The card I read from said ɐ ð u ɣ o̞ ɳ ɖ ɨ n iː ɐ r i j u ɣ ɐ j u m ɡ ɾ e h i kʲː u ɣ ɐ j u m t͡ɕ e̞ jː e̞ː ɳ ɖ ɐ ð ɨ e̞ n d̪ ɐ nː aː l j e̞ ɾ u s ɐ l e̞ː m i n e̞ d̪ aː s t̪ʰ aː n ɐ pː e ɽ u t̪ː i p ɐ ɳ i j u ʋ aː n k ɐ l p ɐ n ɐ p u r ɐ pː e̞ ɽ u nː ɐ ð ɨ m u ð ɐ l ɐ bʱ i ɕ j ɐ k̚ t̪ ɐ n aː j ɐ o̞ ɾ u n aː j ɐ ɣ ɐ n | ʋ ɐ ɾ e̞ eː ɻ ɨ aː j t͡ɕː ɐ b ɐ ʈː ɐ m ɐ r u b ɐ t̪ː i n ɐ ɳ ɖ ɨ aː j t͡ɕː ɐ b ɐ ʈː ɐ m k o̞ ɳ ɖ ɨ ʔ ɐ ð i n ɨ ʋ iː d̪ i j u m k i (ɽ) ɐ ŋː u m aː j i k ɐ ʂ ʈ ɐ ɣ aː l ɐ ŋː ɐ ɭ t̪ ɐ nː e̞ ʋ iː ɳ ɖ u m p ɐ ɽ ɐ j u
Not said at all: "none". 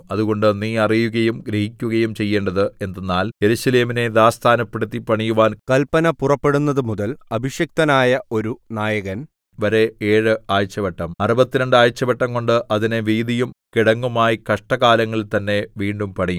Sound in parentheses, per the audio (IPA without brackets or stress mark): ɽ